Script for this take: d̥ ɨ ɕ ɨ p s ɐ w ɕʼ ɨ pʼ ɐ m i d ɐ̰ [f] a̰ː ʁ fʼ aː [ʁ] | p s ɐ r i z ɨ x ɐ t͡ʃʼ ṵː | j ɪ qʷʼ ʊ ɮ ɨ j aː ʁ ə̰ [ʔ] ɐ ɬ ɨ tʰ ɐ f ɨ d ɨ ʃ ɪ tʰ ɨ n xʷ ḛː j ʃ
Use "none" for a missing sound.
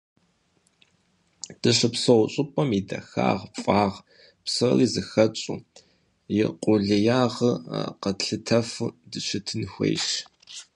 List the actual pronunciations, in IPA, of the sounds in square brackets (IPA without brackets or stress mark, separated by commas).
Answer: x, ʁ, q